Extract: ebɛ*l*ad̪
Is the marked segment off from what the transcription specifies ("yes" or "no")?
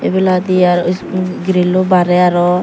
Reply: no